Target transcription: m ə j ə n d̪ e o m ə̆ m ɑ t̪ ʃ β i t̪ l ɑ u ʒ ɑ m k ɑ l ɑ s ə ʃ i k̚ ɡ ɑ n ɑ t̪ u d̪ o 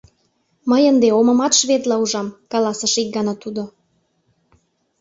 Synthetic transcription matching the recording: m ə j ə n d̪ e o m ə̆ m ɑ t̪ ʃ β e t̪ l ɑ u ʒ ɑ m k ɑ l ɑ s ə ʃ i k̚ ɡ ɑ n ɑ t̪ u d̪ o

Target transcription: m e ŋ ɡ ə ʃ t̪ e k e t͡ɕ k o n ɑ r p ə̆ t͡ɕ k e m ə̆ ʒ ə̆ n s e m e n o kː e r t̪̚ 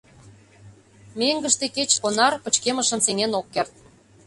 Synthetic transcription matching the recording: m e ŋ ɡ ə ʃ t̪ e k e t͡ɕ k o n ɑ r p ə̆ t͡ɕ k e m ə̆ ʃ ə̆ n s e ŋ e n o kː e r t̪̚

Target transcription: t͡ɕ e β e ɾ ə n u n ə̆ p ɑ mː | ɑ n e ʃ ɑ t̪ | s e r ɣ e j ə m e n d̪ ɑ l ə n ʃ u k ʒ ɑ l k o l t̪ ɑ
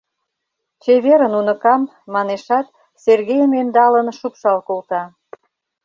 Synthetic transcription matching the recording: t͡ɕ e β e ɾ ə n u n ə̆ k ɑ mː | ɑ n e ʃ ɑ t̪ | s e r ɣ e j ə m e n d̪ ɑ l ə n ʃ u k ʃ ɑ l k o l t̪ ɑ

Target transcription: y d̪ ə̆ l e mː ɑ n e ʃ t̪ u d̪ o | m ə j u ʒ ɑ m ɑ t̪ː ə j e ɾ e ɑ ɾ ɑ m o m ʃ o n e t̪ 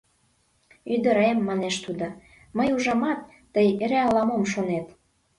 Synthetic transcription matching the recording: y d̪ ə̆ ɾ e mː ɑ n e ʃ t̪ u d̪ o | m ə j u ʒ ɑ m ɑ t̪ː ə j e ɾ e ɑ l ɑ m o m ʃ o n e t̪

